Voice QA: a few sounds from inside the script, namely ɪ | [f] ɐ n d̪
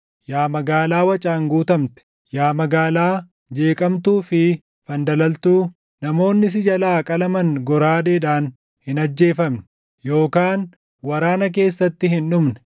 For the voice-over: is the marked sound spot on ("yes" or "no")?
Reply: yes